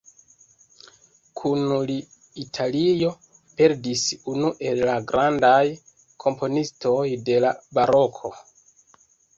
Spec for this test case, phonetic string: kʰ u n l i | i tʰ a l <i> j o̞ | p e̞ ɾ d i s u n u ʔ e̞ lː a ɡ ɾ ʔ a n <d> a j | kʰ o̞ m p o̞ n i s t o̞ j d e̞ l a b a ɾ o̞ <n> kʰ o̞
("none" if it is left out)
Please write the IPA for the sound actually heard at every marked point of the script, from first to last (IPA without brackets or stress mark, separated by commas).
i, d, none